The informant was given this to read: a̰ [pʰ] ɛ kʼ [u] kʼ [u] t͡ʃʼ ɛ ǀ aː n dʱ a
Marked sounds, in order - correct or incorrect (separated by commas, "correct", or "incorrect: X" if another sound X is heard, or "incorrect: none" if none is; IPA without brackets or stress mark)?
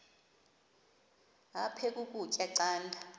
correct, correct, correct